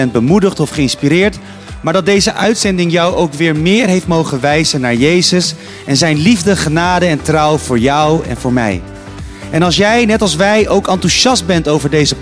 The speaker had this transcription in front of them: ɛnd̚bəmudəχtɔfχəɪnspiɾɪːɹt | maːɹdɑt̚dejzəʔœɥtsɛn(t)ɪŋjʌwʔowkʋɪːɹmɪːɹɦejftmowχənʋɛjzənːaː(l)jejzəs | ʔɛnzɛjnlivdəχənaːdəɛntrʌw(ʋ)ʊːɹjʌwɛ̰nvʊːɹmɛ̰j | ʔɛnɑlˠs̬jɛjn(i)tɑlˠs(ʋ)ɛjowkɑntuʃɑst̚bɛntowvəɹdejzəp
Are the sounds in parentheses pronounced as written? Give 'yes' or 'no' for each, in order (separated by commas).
no, no, no, no, yes